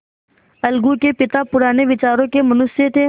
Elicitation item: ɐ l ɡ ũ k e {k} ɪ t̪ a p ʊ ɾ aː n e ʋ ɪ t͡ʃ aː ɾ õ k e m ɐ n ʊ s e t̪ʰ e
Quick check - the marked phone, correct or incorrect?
incorrect: p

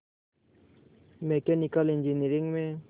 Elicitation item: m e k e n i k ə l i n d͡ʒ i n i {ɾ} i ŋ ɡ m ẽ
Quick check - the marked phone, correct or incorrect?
correct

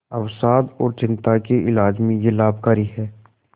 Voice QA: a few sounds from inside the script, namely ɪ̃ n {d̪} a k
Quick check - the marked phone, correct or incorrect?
incorrect: t̪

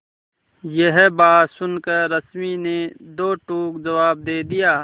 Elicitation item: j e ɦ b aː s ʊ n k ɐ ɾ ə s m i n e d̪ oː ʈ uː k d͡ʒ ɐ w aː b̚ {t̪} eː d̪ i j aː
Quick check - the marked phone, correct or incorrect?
incorrect: d̪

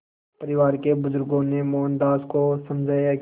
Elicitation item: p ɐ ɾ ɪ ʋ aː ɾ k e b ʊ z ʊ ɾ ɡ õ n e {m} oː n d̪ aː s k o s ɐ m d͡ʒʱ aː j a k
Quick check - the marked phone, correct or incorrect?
correct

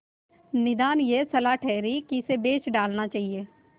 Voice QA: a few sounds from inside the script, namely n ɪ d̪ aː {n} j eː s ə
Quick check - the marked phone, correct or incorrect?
correct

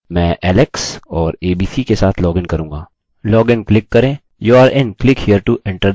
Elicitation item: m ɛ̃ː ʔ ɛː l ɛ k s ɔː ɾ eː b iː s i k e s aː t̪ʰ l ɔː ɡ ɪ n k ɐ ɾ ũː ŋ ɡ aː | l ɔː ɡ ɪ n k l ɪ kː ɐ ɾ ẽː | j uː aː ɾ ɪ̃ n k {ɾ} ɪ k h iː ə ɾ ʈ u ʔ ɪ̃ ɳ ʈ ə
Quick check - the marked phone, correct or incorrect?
incorrect: l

